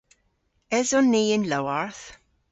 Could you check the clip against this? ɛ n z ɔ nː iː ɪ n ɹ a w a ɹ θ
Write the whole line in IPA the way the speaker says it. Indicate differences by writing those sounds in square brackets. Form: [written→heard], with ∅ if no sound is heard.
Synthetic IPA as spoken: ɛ [n→∅] z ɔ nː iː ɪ n [ɹ→l] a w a ɹ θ